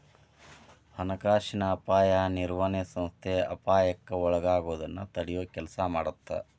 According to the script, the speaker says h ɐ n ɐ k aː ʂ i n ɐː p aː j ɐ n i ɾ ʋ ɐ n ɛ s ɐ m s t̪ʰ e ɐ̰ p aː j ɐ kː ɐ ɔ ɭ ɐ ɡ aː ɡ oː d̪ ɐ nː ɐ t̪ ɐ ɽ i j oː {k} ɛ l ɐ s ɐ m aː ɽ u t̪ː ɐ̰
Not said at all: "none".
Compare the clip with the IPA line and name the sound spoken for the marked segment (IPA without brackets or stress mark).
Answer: k